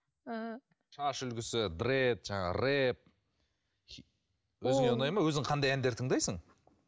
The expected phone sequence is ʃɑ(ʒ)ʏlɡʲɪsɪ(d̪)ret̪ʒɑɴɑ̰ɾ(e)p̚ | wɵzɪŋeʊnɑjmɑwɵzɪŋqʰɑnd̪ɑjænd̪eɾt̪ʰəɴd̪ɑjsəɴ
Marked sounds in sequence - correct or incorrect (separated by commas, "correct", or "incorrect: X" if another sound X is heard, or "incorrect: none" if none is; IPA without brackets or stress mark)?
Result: incorrect: ʃ, correct, correct